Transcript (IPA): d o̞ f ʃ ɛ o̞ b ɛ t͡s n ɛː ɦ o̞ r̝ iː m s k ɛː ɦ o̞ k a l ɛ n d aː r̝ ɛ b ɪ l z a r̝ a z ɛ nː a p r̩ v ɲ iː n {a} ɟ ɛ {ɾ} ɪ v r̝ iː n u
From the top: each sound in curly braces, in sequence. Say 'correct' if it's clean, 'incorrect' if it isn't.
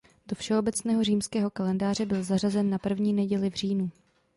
incorrect, incorrect

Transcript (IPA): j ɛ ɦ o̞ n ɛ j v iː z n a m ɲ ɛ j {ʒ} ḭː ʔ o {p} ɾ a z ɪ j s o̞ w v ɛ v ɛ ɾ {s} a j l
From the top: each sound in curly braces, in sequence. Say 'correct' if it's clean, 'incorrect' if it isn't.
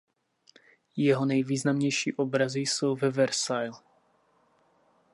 incorrect, incorrect, correct

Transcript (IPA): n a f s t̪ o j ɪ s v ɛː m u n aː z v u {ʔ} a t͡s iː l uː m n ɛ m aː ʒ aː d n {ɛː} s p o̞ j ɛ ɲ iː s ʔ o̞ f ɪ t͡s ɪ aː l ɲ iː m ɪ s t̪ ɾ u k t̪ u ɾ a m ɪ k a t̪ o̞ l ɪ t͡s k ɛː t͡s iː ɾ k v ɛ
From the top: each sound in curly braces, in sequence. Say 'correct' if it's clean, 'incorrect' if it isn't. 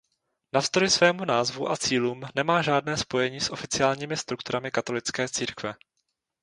correct, correct

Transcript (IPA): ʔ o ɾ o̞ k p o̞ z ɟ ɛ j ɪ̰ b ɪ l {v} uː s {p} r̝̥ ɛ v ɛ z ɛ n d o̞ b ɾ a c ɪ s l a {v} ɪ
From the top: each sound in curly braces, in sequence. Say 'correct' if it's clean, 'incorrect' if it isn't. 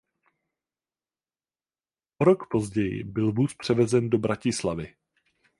correct, correct, correct

